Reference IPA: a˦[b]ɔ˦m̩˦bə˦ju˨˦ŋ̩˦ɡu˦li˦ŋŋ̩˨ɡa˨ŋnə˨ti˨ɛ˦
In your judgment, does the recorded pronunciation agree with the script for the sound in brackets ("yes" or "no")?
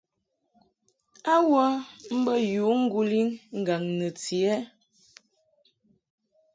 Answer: no